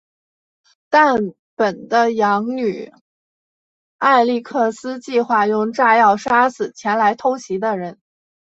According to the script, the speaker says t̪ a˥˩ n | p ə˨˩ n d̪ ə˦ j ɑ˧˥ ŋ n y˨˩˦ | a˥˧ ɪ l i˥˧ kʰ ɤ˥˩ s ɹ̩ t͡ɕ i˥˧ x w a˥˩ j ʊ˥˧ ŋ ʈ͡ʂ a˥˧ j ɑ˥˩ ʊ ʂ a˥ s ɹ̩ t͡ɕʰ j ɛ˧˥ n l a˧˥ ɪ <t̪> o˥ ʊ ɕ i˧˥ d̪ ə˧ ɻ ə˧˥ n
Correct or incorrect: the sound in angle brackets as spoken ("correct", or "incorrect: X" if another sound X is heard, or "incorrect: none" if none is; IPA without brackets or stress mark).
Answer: incorrect: t̪ʰ